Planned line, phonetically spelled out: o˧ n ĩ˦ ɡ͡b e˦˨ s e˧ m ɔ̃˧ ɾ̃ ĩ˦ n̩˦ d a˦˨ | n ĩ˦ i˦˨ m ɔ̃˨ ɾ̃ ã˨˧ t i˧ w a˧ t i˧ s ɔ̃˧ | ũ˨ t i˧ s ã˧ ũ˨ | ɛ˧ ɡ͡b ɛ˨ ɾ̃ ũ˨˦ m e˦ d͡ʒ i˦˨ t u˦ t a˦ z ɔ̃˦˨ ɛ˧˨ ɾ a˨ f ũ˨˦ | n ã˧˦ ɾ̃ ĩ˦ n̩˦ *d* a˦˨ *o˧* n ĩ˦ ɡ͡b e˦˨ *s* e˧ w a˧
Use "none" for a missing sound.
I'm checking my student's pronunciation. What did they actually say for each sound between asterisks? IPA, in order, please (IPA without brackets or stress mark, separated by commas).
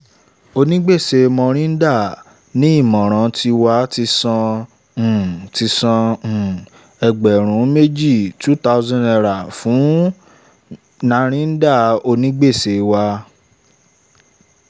d, o˧, s